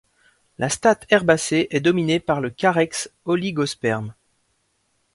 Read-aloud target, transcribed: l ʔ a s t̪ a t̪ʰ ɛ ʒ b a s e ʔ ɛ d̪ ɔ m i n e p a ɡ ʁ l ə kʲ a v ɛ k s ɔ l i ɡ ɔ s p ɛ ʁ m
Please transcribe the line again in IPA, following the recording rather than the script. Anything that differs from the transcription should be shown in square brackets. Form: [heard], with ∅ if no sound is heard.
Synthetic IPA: l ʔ a s t̪ a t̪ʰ ɛ [ʁ] b a s e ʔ ɛ d̪ ɔ m i n e p a [∅] ʁ l ə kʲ a [ʁ] ɛ k s ɔ l i ɡ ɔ s p ɛ ʁ m